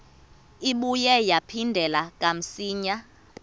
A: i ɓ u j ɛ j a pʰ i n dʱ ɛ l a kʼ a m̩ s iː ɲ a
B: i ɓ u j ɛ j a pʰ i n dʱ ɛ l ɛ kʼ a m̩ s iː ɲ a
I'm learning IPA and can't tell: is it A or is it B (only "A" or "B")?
A